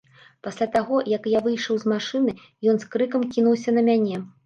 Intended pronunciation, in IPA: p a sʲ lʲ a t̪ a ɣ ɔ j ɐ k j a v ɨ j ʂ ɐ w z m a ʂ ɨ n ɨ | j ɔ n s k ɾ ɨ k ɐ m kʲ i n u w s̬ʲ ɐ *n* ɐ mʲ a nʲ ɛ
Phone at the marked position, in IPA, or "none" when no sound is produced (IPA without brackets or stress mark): n